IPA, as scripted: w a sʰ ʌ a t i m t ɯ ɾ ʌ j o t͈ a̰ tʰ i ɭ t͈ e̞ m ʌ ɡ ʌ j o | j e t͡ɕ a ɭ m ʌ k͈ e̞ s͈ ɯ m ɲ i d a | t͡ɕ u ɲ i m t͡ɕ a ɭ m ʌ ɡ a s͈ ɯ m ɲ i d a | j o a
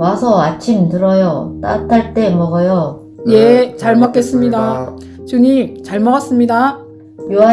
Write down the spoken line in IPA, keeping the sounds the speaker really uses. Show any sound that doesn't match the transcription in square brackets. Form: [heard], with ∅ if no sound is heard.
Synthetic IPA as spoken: w a sʰ ʌ a [t͡ɕʰ] i m t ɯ ɾ ʌ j o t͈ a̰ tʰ [a] ɭ t͈ e̞ m ʌ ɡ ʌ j o | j e t͡ɕ a ɭ m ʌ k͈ e̞ s͈ ɯ m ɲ i d a | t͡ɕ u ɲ i m t͡ɕ a ɭ m ʌ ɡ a s͈ ɯ m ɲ i d a | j o a